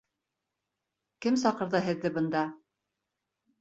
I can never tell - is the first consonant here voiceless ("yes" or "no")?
yes